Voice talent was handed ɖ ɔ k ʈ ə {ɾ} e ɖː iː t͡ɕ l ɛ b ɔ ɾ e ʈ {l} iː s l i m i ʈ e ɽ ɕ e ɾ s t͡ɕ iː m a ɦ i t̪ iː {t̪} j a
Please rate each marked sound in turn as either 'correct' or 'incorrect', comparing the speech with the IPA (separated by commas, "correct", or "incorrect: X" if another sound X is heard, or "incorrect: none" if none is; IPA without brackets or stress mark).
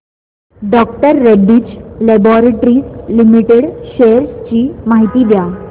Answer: incorrect: ɾː, incorrect: ɾ, incorrect: d̪